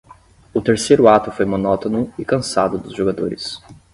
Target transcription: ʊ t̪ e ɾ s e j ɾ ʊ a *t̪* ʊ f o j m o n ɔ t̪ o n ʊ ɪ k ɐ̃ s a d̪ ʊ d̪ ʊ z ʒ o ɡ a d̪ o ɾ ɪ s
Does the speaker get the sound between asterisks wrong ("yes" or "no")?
no